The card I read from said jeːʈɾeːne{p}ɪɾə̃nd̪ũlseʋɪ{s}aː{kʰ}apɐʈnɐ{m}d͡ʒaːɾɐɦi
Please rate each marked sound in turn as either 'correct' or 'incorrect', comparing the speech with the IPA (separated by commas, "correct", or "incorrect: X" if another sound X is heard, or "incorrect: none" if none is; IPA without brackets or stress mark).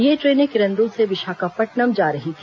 incorrect: k, incorrect: ʃ, incorrect: k, correct